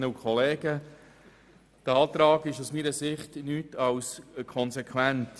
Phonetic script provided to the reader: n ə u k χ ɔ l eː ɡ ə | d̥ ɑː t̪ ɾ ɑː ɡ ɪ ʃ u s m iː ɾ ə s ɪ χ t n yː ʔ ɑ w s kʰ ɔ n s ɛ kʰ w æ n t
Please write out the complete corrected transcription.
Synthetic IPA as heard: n ə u k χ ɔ l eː ɡ ə | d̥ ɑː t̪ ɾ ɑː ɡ ɪ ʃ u s m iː ɾ ə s ɪ χ t n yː t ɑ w s kʰ ɔ n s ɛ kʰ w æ n t